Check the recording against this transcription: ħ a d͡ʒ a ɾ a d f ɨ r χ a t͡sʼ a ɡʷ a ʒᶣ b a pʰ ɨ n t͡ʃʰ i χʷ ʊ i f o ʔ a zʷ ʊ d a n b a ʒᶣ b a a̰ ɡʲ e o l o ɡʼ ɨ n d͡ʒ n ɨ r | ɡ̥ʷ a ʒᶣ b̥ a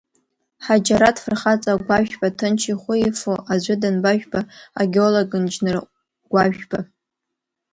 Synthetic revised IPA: ħ a d͡ʒ a ɾ a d f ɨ r χ a t͡sʼ a ɡʷ a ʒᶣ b a tʰ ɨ n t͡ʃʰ i χʷ ʊ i f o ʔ a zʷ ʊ d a n b a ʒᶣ b a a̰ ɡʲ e o l o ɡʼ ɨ n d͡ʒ n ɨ r | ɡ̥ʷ a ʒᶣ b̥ a

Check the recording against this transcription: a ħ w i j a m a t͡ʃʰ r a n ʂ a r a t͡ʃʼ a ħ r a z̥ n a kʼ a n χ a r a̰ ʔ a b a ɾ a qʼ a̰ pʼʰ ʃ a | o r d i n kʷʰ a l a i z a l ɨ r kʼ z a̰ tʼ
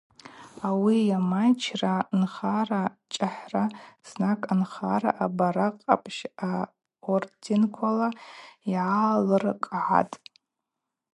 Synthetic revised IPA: a w i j a m a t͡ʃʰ r a n χ a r a t͡ʃʼ a ħ r a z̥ n a kʼ a n χ a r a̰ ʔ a b a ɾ a qʼ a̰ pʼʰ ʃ a | o r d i n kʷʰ a l a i ʕ a l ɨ r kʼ ʕ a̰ tʼ

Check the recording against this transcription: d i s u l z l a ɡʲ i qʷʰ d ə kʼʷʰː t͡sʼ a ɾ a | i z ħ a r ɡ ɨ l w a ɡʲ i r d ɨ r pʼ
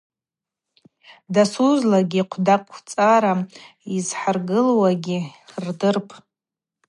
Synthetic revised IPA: d a s u z l a ɡʲ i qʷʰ d a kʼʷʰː t͡sʼ a ɾ a | i z ħ a r ɡ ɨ l w a ɡʲ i r d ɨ r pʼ

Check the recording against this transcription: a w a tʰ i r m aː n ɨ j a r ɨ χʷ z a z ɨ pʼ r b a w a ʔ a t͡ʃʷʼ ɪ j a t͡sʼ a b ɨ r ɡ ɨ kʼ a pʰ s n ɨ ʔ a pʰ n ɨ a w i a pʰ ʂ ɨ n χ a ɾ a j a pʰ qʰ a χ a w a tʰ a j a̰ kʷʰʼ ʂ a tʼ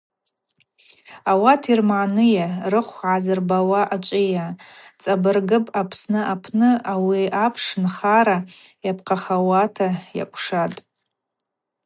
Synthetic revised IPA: a w a tʰ i r m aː n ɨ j a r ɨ χʷ ʕ a z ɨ r b a w a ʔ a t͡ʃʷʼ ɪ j a t͡sʼ a b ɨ r ɡ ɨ pʼ a pʰ s n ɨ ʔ a pʰ n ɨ a w i a pʰ ʂ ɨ n χ a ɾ a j a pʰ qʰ a χ a w a tʰ a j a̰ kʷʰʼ ʂ a tʼ

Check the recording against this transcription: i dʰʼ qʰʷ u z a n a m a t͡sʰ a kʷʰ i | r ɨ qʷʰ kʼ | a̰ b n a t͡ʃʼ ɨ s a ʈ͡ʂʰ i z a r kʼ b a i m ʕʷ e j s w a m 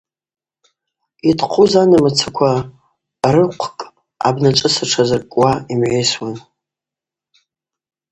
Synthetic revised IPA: i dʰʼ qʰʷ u z a n a m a t͡sʰ a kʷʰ a | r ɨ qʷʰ kʼ | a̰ b n a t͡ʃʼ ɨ s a ʈ͡ʂʰ a z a r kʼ w a i m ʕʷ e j s w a n

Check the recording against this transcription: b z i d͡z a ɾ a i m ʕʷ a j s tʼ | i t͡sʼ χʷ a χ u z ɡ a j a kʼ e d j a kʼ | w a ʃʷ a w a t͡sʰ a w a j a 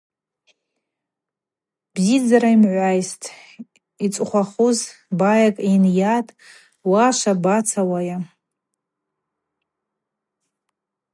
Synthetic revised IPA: b z i d͡z a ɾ a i m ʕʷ a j s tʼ | i t͡sʼ χʷ a χ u z b a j a kʼ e n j a tʼ | w a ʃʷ a b a t͡sʰ a w a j a

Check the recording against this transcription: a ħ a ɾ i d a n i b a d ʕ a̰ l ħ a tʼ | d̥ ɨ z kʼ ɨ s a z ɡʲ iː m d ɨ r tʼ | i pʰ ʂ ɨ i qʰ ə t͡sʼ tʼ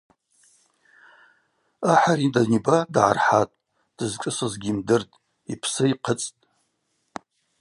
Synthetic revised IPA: a ħ a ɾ i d a n i b a d ʕ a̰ r ħ a tʼ | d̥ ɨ z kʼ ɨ s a z ɡʲ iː m d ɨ r tʼ | i pʰ s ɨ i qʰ ə t͡sʼ tʼ

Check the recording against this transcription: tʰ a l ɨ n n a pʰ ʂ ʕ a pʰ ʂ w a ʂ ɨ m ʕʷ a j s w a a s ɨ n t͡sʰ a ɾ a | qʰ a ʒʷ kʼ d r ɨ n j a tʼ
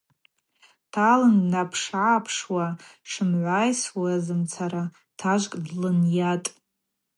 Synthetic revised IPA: tʰ a l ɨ n n a pʰ ʂ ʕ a pʰ ʂ w a ʂ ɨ m ʕʷ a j s w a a z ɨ m t͡sʰ a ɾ a | tʰ a ʒʷ kʼ d l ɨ n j a tʼ

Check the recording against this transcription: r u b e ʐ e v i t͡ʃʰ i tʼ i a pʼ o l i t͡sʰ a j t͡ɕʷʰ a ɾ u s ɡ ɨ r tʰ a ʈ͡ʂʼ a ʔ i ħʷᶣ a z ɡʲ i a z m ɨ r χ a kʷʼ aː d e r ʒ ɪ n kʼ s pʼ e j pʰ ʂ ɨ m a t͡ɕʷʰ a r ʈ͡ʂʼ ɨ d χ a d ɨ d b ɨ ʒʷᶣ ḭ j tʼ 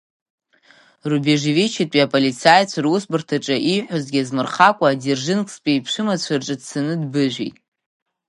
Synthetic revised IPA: r u b e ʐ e v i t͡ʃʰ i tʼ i a pʼ o l i t͡sʰ a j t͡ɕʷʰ a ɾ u s b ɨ r tʰ a ʈ͡ʂʼ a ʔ i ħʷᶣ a z ɡʲ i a z m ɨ r χ a kʷʼ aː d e r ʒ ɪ n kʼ s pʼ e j pʰ ʂ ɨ m a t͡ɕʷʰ a r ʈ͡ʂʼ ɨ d s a n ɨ d b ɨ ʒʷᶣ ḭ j tʼ

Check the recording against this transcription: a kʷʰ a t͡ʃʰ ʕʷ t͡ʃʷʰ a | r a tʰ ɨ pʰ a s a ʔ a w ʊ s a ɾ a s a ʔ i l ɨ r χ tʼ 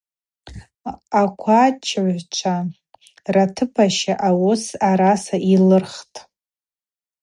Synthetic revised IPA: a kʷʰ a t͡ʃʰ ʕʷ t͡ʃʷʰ a | r a tʰ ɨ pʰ a ʃ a ʔ a w ʊ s a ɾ a s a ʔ i l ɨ r χ tʼ

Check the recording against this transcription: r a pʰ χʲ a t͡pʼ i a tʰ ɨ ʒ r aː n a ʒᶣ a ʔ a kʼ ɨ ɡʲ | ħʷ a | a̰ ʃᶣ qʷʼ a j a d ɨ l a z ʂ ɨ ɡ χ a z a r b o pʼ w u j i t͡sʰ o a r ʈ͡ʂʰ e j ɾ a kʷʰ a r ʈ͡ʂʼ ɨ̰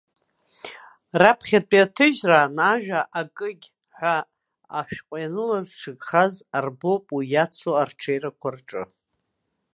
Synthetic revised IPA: r a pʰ χʲ a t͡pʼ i a tʰ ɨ ʒ r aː n a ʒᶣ a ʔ a kʼ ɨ ɡʲ | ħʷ a | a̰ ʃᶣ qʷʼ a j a n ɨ l a z ʂ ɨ ɡ χ a z a r b o pʼ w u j a t͡sʰ o a r ʈ͡ʂʰ e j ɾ a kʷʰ a r ʈ͡ʂʼ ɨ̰

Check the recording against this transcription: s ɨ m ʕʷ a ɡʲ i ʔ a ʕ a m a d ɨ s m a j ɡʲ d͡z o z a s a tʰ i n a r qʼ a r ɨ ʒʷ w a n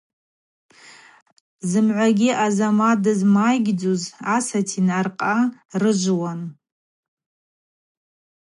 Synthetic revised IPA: z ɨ m ʕʷ a ɡʲ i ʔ a z a m a d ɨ z m a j ɡʲ d͡z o z a s a tʰ i n a r qʼ a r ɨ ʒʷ w a n

